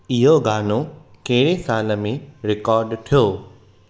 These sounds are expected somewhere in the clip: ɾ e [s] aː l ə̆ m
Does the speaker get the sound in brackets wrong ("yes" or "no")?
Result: no